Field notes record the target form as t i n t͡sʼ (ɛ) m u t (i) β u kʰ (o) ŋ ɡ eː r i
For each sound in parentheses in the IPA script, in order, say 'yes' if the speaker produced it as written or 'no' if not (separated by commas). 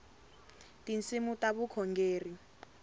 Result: no, no, no